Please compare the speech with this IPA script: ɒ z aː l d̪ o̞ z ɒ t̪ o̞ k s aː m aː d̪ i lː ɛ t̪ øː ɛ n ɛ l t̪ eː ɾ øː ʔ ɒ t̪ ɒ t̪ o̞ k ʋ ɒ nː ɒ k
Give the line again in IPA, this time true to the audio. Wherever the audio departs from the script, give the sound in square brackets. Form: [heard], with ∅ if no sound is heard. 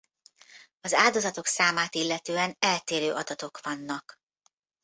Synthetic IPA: ɒ z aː l d̪ o̞ z ɒ t̪ o̞ k s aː m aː [t̪] i lː ɛ t̪ øː ɛ n ɛ l t̪ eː ɾ øː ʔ ɒ [d̪] ɒ t̪ o̞ k ʋ ɒ nː ɒ k